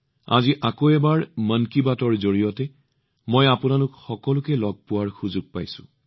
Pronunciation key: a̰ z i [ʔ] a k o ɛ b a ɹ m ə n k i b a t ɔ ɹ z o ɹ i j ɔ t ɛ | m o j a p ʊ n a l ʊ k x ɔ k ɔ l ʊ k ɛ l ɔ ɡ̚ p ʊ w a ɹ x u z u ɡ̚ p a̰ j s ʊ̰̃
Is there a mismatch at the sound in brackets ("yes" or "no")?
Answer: no